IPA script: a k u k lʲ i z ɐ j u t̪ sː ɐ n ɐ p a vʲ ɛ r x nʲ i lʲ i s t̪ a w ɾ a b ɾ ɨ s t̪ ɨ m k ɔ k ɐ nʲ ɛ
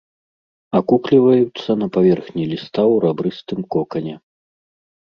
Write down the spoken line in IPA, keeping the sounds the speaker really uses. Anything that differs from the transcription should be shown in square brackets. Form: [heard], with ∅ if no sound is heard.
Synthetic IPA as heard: a k u k lʲ i [v] ɐ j u t̪ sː ɐ n ɐ p a vʲ ɛ r x nʲ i lʲ i s t̪ a w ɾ a b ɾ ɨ s t̪ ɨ m k ɔ k ɐ nʲ ɛ